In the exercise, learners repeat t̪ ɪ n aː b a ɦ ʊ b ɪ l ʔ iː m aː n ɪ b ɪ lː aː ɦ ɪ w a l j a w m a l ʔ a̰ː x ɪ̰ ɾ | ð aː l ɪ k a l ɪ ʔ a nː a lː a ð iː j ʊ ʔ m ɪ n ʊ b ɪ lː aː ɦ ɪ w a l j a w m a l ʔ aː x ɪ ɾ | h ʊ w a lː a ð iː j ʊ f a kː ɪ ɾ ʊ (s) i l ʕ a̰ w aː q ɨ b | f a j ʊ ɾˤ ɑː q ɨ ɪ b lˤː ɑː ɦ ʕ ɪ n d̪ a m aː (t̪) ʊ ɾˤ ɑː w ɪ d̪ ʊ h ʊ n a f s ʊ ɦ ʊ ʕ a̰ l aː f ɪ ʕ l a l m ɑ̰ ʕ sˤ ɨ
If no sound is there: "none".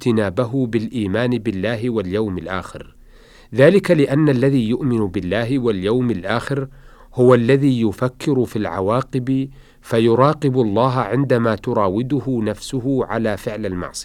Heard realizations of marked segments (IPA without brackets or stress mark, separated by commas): f, t̪